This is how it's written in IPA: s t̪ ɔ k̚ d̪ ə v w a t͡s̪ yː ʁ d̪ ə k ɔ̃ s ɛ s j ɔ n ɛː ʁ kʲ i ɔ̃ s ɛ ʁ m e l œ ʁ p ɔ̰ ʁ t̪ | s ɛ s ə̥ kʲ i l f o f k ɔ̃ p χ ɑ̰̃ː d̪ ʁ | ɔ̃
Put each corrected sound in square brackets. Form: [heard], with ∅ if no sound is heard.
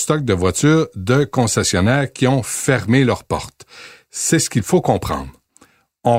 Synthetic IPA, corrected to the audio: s t̪ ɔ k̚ d̪ ə v w a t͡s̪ yː ʁ d̪ ə k ɔ̃ s ɛ s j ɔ n ɛː ʁ kʲ i ɔ̃ [f] ɛ ʁ m e l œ ʁ p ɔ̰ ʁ t̪ | s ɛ s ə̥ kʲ i l f o [∅] k ɔ̃ p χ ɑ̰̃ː d̪ ʁ | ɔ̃